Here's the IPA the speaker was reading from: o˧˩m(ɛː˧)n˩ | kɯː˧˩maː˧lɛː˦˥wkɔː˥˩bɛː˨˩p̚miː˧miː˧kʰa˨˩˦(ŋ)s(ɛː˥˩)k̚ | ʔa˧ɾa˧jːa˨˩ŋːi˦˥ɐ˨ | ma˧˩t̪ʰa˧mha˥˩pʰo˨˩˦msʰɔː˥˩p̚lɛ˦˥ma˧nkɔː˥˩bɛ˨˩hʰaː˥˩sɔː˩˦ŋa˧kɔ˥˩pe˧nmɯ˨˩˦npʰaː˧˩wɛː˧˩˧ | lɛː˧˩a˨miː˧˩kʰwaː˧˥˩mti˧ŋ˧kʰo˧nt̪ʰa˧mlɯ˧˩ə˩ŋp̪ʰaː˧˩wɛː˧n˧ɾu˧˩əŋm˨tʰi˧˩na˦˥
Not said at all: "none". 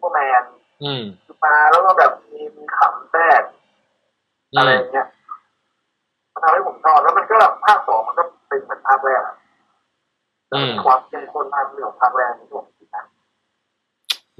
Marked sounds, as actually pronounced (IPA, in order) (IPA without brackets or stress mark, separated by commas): ɛː˧, m, ɛː˥˩